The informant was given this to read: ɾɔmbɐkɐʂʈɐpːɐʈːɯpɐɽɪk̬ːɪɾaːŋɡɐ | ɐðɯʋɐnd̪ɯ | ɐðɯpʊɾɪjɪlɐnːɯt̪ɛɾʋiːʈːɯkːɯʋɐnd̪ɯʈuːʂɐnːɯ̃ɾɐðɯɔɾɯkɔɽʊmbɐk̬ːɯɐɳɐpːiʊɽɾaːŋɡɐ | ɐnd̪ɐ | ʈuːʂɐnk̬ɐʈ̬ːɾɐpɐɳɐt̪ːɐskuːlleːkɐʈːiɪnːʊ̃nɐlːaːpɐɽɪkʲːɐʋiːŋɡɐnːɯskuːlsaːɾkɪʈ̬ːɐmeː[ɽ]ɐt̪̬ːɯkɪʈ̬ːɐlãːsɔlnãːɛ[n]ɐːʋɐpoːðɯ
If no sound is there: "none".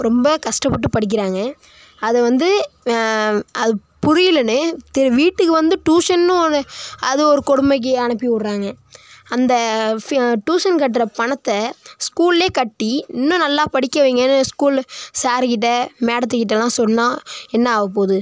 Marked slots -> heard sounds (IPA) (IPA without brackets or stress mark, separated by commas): ɽ, nː